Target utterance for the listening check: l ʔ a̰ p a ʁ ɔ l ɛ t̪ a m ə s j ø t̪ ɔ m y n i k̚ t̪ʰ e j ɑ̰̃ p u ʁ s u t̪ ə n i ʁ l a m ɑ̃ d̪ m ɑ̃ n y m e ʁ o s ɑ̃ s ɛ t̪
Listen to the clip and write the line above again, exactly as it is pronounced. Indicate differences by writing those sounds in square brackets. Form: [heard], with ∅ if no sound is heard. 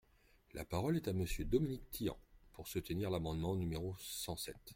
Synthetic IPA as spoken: l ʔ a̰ p a ʁ ɔ l ɛ t̪ a m ə s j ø [d̪] ɔ m [i] n i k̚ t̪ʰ [i] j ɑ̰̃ p u ʁ s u t̪ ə n i ʁ l a m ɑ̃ d̪ m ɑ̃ n y m e ʁ o s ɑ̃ s ɛ t̪